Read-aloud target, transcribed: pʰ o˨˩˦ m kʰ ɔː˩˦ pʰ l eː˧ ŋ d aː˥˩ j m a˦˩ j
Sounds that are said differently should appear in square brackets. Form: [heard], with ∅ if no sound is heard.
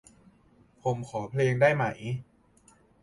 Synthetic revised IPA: pʰ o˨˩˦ m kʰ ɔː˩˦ pʰ l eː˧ ŋ d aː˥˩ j m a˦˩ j